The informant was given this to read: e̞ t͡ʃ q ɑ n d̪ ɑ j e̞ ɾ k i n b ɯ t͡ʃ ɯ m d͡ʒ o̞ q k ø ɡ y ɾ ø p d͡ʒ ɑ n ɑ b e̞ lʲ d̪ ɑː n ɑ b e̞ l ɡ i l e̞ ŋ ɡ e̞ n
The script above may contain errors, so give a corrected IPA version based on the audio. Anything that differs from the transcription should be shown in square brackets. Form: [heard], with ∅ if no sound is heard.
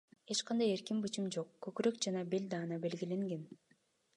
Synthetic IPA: e̞ t͡ʃ q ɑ n d̪ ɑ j e̞ ɾ k i [m] b ɯ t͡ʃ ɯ m d͡ʒ o̞ q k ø [k] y ɾ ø [k] d͡ʒ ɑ n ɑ b e̞ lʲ d̪ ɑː n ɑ b e̞ l ɡ i l e̞ ŋ ɡ e̞ n